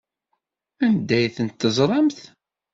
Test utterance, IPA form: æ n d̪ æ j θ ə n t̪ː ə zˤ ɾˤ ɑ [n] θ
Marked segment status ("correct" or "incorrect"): incorrect